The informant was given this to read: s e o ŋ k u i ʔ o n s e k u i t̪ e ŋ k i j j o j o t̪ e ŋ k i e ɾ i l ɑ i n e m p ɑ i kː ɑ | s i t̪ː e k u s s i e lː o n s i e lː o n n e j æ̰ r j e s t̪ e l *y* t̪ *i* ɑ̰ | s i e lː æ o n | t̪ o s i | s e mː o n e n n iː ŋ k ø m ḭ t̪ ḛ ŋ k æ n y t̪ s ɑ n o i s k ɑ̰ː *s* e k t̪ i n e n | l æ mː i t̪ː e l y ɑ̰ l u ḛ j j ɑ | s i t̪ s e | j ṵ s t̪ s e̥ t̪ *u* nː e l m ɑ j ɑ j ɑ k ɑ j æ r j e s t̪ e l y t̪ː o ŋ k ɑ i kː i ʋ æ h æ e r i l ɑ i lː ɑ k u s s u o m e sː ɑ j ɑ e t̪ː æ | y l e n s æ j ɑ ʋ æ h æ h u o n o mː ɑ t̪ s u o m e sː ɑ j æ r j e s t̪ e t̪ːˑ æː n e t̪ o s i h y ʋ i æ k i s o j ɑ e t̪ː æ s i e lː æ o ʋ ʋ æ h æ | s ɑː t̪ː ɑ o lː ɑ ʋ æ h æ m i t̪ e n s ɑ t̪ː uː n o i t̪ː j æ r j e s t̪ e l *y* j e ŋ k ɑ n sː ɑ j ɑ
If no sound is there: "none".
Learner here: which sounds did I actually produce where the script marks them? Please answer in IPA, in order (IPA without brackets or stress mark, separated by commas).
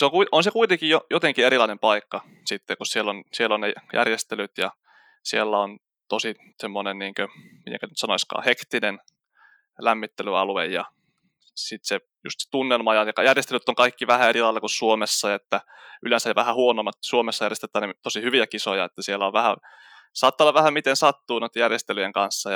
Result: y, j, h, u, y